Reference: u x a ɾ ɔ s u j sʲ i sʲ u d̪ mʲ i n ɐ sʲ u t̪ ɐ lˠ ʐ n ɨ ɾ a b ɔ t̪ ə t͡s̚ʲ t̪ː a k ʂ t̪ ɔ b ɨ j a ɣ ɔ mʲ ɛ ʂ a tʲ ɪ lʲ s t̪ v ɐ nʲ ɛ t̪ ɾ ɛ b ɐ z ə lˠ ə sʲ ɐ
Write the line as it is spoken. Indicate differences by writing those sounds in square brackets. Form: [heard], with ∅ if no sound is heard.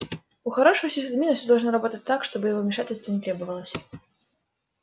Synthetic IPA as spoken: u x a ɾ ɔ [ʂ] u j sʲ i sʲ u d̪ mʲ i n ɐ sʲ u [d̪] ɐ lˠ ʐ n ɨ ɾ a b ɔ t̪ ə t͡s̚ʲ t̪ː a k ʂ t̪ ɔ b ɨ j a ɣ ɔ mʲ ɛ ʂ a tʲ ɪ lʲ s t̪ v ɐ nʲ ɛ t̪ ɾ ɛ b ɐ [v] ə lˠ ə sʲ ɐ